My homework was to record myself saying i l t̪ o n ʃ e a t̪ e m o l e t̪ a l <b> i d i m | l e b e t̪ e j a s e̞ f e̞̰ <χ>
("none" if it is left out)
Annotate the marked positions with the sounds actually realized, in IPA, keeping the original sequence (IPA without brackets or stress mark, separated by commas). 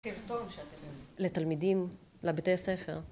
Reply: m, ʁ